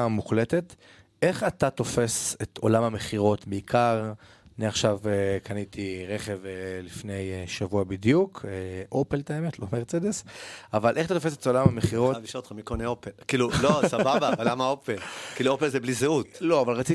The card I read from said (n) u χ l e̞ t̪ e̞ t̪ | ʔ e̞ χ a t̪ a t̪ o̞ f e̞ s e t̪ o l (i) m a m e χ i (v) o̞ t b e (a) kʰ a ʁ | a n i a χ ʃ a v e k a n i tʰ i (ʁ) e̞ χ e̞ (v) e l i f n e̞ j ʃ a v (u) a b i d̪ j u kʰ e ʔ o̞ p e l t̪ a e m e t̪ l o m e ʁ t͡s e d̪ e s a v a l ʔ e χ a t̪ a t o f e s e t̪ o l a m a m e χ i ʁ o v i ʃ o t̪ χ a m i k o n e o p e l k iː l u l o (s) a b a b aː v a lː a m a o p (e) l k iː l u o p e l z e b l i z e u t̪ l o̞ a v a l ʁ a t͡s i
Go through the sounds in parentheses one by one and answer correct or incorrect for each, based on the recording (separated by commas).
incorrect, incorrect, incorrect, incorrect, correct, correct, correct, correct, correct